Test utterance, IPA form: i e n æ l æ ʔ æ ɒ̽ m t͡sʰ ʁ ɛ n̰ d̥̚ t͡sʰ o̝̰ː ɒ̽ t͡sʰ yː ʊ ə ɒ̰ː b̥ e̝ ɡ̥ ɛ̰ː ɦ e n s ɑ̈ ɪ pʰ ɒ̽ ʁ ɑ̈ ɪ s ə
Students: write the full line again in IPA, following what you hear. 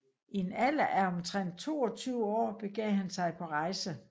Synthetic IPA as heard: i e n æ l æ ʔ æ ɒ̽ m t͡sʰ ʁ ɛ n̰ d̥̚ t͡sʰ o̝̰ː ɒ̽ t͡sʰ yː ʊ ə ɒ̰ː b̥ e̝ ɡ̥ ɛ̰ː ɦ æ n s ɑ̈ ɪ pʰ ɒ̽ ʁ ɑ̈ ɪ s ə